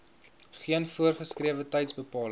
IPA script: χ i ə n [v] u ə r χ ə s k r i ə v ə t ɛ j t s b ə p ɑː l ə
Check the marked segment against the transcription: incorrect: f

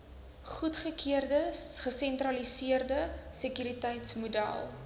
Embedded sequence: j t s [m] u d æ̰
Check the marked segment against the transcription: correct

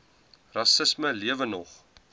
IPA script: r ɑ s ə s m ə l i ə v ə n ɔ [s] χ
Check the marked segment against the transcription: incorrect: none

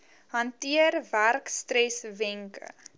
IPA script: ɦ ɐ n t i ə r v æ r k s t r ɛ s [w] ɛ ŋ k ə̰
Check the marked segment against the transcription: incorrect: v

